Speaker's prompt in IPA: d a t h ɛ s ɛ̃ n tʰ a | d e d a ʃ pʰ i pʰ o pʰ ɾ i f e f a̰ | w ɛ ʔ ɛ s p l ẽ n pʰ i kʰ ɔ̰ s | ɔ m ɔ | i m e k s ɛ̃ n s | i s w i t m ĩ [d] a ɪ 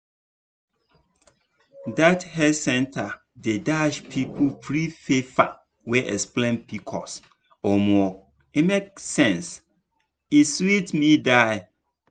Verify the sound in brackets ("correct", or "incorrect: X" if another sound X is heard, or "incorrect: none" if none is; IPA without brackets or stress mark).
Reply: correct